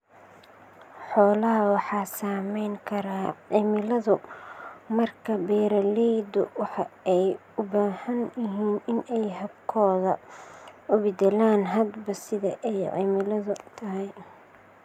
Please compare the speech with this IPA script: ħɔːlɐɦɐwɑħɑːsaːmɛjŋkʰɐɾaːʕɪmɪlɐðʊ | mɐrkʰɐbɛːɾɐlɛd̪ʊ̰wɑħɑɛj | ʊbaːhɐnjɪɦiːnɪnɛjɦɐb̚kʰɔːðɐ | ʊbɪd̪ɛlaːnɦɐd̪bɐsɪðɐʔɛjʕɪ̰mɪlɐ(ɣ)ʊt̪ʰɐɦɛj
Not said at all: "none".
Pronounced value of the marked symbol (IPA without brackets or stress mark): ð